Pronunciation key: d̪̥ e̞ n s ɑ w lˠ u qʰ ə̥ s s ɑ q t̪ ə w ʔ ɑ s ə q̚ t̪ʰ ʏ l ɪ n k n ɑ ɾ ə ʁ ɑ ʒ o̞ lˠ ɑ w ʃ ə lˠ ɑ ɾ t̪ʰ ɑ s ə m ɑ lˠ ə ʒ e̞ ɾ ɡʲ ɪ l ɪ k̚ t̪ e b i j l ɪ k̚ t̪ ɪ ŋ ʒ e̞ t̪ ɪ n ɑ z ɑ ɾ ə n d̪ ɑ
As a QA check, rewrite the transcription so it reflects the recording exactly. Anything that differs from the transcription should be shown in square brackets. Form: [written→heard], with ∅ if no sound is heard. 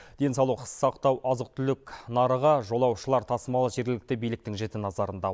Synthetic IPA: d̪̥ e̞ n s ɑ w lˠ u qʰ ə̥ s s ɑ q t̪ [ə→ɑ] w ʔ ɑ [s→z] ə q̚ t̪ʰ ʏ l ɪ [n→∅] k n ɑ ɾ ə ʁ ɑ ʒ o̞ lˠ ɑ w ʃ ə lˠ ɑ ɾ t̪ʰ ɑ s ə m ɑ lˠ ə ʒ e̞ ɾ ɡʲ ɪ l ɪ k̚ t̪ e b i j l ɪ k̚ t̪ ɪ ŋ ʒ e̞ t̪ ɪ n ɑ z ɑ ɾ ə n d̪ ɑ